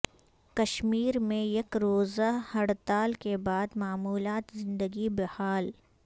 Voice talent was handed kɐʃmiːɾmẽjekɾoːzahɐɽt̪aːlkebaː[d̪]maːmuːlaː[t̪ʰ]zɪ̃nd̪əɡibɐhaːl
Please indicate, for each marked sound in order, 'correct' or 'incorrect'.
correct, incorrect

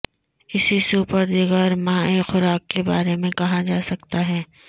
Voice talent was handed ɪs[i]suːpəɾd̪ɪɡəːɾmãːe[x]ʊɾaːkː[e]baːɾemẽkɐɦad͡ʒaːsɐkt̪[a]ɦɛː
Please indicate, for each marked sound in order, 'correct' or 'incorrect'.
correct, correct, correct, correct

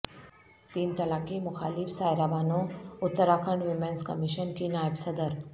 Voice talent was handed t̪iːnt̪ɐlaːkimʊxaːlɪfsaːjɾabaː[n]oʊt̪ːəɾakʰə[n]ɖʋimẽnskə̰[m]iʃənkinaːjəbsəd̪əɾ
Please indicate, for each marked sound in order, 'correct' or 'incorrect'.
correct, incorrect, correct

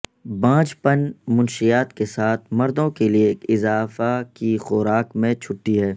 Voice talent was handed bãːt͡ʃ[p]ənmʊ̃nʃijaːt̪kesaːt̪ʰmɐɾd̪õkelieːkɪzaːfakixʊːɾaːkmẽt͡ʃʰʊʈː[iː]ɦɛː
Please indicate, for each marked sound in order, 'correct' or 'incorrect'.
correct, incorrect

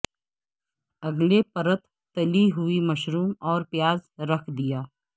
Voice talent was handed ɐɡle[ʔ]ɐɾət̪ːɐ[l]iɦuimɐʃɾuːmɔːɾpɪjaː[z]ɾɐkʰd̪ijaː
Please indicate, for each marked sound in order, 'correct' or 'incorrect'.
incorrect, correct, correct

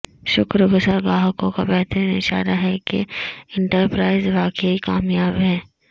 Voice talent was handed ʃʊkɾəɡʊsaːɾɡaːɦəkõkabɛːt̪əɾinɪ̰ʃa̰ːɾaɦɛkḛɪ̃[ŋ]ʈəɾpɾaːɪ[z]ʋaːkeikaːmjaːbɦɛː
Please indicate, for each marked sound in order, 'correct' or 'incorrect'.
incorrect, correct

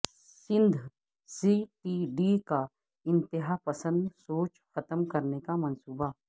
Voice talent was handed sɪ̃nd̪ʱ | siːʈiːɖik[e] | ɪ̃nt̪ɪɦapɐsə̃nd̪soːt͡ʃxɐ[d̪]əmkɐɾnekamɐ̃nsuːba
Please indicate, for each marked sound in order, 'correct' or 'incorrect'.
incorrect, incorrect

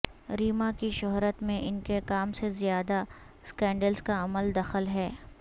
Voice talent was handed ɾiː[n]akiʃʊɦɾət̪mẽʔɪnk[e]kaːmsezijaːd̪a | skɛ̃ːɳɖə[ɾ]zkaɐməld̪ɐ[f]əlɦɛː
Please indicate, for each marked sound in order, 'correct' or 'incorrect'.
incorrect, correct, incorrect, incorrect

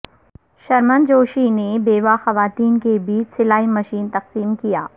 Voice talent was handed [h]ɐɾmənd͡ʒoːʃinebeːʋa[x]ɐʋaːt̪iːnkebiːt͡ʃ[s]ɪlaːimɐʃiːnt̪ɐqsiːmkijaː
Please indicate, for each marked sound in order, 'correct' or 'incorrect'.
incorrect, correct, correct

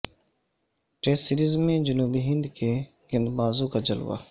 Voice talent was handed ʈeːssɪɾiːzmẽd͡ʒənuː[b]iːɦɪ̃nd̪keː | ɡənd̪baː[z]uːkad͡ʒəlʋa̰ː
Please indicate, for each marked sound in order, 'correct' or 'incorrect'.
correct, correct

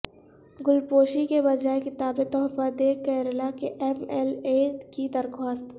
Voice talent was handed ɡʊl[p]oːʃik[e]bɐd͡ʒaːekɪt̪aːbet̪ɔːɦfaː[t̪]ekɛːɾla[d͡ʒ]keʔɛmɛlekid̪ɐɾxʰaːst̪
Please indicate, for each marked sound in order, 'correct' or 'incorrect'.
correct, correct, incorrect, incorrect

